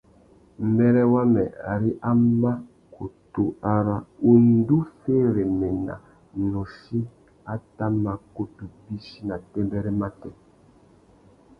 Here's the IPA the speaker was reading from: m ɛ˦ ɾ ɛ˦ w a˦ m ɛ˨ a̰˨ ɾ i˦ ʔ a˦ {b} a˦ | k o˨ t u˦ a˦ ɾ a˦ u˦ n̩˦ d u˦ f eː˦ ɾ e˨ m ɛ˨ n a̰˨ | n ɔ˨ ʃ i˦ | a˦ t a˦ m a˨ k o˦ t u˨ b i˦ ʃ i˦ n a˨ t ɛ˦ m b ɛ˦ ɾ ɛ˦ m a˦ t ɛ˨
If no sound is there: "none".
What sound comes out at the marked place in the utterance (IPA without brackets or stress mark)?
m